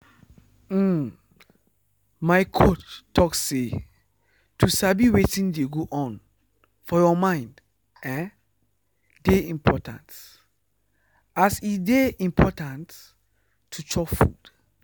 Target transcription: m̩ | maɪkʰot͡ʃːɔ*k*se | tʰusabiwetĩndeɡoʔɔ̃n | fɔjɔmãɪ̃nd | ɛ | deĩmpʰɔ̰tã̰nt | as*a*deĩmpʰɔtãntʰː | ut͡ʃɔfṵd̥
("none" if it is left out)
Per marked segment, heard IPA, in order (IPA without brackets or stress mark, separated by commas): k, i